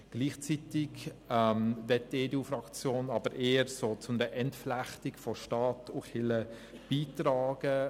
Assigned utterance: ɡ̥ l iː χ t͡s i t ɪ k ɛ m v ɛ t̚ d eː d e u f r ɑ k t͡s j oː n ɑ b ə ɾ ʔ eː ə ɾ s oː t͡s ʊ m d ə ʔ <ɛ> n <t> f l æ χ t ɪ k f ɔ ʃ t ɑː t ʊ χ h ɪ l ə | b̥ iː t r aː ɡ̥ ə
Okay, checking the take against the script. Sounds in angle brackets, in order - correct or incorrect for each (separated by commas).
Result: correct, correct